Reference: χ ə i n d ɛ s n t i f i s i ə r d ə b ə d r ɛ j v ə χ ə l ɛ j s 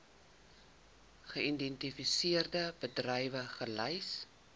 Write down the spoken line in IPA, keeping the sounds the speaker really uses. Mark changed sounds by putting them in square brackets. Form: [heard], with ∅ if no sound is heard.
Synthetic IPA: χ ə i n d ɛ [∅] n t i f i s i ə r d ə b ə d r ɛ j v ə χ ə l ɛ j s